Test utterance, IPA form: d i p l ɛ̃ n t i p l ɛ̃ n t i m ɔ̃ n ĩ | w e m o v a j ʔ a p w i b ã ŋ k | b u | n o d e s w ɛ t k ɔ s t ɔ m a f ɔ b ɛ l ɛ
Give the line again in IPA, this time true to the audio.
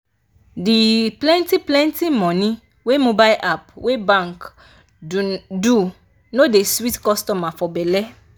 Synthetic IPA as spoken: d i p l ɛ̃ n t i p l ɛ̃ n t i m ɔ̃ n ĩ | w e m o b a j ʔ a p w e b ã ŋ k | d u | n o d e s w i t k ɔ s t ɔ m a f ɔ b ɛ l ɛ